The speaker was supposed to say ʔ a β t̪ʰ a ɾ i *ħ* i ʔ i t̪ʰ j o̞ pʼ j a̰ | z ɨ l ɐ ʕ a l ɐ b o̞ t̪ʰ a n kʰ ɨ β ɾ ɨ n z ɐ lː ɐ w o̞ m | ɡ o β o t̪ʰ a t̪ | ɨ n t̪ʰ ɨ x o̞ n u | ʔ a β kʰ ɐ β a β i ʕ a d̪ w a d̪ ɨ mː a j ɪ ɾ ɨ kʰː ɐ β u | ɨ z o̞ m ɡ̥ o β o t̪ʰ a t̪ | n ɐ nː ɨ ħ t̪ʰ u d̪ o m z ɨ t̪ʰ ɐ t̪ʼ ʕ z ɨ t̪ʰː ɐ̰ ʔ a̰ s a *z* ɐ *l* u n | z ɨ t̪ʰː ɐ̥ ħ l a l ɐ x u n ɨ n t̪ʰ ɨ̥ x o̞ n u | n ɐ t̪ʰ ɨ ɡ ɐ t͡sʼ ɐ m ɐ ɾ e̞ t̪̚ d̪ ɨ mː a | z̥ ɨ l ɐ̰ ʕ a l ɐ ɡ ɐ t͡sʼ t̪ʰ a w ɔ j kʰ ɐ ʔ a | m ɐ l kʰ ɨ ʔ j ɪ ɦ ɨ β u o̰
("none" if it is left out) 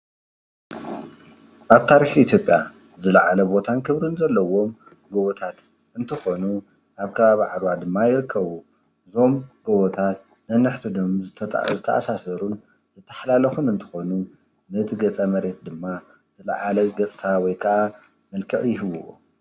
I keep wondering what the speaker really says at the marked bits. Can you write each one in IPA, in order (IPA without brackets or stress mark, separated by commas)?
ħ, s, ɾ